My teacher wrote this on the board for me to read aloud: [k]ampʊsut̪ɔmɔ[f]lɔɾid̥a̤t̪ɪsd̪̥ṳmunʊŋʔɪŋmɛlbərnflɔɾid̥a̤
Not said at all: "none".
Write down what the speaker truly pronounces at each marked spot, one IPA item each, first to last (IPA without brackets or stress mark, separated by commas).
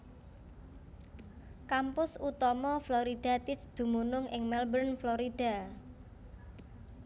k, f